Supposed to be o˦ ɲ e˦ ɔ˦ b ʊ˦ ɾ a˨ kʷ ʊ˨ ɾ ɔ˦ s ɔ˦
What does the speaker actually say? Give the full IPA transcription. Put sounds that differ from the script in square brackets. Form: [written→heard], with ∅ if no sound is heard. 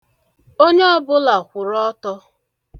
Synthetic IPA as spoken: o˦ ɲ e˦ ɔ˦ b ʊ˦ [ɾ→l] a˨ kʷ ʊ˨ ɾ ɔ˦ [s→t] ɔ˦